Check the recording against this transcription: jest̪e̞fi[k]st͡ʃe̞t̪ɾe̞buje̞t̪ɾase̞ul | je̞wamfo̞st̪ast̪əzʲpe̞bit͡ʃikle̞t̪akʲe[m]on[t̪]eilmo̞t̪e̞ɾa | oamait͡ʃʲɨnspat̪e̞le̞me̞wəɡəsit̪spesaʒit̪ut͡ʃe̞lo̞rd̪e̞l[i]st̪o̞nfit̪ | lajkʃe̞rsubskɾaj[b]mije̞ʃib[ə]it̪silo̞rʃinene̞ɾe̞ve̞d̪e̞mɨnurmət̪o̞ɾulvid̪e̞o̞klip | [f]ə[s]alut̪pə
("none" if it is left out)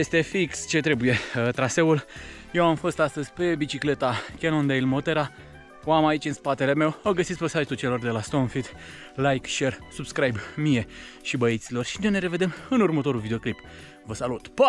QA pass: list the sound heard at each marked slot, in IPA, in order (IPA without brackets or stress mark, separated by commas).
k, n, d̪, a, b, ə, v, s